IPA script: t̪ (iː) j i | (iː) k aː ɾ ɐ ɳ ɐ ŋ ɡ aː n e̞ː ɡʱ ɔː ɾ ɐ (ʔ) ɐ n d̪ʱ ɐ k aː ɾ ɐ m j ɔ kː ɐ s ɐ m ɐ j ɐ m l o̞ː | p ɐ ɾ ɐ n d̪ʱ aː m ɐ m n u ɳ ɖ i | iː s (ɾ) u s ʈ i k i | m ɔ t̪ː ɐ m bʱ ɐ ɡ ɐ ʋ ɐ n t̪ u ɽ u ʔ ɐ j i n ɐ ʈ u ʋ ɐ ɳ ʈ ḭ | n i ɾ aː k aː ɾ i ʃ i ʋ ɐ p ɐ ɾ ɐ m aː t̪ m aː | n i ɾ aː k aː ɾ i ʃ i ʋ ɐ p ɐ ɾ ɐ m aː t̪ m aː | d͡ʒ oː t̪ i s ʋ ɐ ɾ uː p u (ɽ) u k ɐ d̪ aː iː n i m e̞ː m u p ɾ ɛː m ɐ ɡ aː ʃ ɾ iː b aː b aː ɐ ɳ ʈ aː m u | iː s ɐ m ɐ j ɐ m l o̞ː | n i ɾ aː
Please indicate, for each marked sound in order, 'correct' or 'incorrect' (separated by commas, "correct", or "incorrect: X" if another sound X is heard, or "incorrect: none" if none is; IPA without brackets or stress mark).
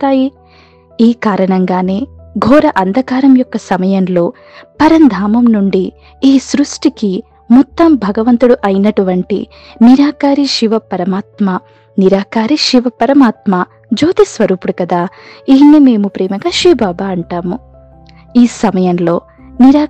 incorrect: aː, correct, correct, correct, correct